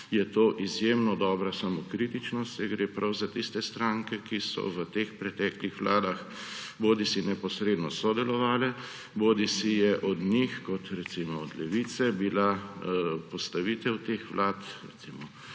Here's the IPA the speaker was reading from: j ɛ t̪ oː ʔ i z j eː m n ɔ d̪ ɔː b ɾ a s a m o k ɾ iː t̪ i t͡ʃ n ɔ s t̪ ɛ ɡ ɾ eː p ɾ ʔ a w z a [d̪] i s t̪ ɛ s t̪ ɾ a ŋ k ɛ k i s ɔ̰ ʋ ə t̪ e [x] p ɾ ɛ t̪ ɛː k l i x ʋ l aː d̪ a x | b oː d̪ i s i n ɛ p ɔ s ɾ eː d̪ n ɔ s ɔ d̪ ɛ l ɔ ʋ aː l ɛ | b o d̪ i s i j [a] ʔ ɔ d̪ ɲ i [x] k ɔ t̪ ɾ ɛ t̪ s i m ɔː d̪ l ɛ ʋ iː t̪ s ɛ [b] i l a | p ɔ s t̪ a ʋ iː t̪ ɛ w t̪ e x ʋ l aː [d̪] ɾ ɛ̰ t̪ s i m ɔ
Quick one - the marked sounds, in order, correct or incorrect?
incorrect, correct, incorrect, correct, correct, incorrect

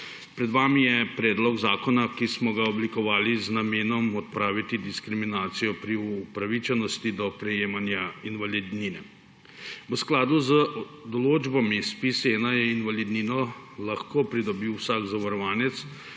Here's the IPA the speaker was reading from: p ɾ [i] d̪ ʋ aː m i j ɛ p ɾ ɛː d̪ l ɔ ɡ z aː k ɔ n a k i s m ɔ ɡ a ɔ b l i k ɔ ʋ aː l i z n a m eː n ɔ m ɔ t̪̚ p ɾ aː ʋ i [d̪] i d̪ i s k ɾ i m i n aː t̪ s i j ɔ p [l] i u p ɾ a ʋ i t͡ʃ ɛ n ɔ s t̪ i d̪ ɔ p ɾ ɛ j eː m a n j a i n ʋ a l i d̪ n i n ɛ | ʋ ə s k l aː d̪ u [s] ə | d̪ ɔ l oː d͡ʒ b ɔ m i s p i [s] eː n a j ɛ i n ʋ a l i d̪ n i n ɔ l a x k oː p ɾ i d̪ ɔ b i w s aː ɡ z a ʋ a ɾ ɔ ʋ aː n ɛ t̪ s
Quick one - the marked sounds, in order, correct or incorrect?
incorrect, incorrect, incorrect, incorrect, correct

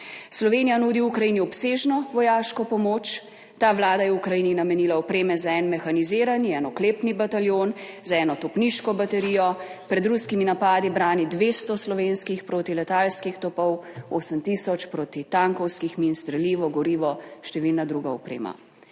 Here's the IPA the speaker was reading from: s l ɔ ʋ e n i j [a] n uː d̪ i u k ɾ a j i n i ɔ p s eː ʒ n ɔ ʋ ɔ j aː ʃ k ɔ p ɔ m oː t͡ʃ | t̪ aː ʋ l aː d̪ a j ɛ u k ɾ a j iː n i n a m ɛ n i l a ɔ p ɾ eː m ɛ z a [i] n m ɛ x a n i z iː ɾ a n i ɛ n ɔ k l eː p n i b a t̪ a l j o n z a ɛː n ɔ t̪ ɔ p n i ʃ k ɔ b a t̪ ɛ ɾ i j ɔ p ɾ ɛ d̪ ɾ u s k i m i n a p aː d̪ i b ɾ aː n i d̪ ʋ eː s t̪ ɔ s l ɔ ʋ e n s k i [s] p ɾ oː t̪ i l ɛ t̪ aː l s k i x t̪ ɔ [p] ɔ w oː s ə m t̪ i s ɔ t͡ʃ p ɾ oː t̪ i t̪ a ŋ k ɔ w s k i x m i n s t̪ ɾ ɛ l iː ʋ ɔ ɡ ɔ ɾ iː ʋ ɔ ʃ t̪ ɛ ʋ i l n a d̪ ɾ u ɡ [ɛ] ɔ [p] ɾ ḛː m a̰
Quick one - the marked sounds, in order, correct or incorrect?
correct, incorrect, incorrect, correct, incorrect, correct

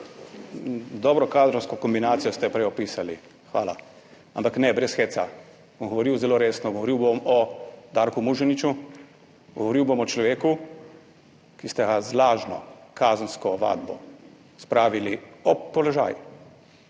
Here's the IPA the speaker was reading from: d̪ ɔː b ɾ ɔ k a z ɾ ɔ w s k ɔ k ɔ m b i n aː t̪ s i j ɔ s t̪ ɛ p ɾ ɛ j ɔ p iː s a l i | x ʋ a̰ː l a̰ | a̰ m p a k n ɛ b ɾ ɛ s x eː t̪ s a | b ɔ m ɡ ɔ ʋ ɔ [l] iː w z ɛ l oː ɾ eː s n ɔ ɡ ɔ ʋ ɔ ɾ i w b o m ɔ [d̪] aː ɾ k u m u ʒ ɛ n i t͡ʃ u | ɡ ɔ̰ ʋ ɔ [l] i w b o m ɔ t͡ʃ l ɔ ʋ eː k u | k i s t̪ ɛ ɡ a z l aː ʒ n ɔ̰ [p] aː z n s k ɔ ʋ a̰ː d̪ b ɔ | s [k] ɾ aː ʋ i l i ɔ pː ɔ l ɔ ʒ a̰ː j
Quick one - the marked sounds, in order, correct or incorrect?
incorrect, correct, incorrect, incorrect, incorrect

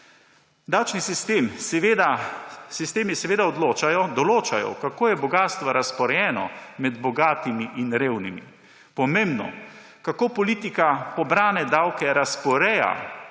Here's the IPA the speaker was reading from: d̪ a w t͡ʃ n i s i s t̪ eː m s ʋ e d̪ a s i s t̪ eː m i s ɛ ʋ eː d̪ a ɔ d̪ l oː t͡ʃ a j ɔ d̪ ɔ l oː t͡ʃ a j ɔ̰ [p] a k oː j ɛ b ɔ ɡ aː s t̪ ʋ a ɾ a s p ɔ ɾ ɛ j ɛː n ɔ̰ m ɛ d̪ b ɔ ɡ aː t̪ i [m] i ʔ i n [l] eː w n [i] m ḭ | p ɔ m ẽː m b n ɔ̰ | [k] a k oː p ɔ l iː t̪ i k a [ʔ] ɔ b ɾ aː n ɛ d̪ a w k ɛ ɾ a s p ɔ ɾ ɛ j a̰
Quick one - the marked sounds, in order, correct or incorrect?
incorrect, correct, incorrect, correct, correct, incorrect

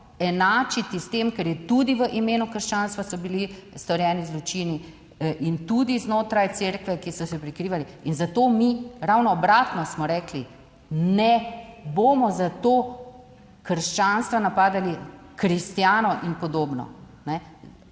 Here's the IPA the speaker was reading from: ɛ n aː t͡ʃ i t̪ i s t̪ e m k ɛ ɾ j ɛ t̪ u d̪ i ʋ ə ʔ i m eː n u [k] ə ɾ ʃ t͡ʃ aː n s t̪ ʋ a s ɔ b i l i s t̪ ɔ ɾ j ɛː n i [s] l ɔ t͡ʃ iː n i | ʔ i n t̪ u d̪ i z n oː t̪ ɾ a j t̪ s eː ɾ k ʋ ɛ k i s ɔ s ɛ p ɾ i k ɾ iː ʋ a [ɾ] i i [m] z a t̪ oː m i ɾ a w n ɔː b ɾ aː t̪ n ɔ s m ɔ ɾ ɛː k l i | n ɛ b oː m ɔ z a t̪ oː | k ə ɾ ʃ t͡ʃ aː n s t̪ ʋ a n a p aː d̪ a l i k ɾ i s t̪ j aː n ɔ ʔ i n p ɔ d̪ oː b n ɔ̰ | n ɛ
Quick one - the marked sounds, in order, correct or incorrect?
correct, incorrect, incorrect, incorrect

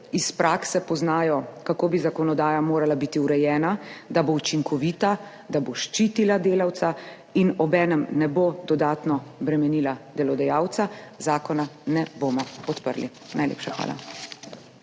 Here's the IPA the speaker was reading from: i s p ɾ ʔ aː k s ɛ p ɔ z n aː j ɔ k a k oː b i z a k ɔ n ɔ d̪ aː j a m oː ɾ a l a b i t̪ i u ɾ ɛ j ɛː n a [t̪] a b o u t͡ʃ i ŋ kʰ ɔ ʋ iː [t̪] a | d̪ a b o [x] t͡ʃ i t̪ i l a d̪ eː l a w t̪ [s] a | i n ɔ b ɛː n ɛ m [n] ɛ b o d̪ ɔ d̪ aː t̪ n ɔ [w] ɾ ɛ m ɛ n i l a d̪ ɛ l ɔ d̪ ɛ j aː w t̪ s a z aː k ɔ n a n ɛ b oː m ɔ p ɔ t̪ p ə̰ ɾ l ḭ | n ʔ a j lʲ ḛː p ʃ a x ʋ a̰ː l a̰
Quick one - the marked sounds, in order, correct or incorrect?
incorrect, correct, incorrect, correct, correct, incorrect

